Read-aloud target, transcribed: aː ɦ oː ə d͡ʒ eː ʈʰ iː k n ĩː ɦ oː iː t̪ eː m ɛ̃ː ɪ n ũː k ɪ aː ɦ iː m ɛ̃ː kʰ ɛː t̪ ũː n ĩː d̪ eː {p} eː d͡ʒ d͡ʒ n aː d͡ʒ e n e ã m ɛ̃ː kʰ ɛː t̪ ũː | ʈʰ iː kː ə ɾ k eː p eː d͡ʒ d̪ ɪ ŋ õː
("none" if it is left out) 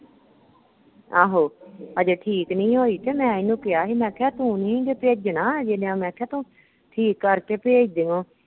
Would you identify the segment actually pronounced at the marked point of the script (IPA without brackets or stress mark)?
p